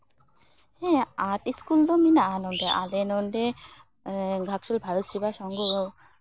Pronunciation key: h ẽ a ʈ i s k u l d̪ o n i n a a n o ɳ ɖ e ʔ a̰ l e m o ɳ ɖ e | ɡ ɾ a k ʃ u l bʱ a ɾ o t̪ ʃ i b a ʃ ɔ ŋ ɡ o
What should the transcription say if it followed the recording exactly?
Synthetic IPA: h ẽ a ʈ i s k u l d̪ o m i n a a n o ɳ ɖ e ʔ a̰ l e n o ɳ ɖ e | ɡ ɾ a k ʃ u l bʱ a ɾ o t̪ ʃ i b a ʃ ɔ ŋ ɡ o

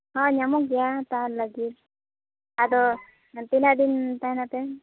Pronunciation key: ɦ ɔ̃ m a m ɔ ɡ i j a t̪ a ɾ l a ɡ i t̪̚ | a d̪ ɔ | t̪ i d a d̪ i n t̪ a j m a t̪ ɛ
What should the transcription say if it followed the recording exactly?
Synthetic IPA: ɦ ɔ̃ ɲ a m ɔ ɡ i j a t̪ a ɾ l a ɡ i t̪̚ | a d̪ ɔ | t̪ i n a d̪ i n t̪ a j n a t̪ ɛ

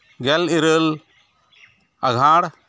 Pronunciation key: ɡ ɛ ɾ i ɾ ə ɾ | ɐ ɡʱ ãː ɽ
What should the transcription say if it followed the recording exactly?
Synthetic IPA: ɡ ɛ l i ɾ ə l | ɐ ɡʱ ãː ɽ

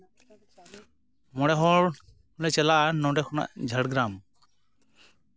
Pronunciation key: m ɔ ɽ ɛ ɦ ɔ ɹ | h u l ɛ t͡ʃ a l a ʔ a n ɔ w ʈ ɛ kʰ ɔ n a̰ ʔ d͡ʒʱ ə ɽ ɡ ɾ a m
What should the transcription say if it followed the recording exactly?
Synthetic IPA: m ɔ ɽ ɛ ɦ ɔ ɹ | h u l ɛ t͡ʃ ɛ l a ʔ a n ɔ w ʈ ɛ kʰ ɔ n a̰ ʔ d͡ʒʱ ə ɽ ɡ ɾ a m

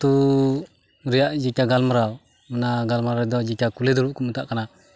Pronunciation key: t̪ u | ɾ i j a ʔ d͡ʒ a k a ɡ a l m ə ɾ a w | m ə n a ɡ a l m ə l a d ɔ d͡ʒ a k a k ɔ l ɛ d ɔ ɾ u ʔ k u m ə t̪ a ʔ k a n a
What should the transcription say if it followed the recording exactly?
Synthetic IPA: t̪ u | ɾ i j a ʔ d͡ʒ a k a ɡ a l m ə ɾ a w | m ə n a ɡ a l m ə ɾ a d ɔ d͡ʒ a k a k u l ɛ d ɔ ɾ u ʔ k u m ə t̪ a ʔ k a n a

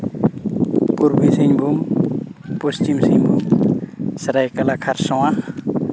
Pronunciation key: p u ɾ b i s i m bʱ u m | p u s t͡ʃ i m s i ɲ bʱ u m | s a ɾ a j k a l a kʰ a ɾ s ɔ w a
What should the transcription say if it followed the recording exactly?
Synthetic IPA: p u ɾ b i s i ɲ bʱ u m | p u s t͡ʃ i m s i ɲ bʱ u m | s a ɾ a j k a l a kʰ a ɾ s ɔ w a

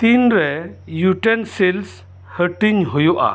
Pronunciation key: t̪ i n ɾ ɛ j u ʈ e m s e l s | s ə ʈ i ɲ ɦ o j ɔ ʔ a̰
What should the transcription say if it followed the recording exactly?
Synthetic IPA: t̪ i n ɾ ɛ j u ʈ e n s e l s | h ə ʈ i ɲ ɦ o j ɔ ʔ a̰

